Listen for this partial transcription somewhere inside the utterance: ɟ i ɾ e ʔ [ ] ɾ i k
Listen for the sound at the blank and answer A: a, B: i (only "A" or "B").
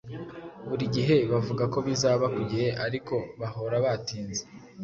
A